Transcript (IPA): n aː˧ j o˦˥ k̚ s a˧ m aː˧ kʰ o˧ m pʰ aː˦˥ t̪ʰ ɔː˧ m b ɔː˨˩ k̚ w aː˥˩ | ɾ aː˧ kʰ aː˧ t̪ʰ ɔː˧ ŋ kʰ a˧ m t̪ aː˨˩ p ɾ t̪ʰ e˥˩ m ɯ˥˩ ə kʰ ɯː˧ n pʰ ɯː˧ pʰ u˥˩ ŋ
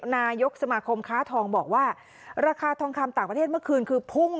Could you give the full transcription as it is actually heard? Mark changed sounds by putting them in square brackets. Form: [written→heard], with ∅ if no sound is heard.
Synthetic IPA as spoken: n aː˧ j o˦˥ k̚ s a˧ m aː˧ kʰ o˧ m [pʰ→kʰ] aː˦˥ t̪ʰ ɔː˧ [m→ŋ] b ɔː˨˩ k̚ w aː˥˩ | ɾ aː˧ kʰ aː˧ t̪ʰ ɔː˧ ŋ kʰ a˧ m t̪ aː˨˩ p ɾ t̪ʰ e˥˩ m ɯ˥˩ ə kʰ ɯː˧ n [pʰ→kʰ] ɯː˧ pʰ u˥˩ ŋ